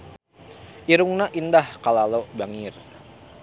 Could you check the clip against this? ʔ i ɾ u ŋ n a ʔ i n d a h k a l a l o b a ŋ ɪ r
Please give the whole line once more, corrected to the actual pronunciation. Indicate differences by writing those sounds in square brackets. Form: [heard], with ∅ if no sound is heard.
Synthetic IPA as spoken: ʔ i ɾ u ŋ n a ʔ i n d a h k a l a l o b a ŋ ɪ r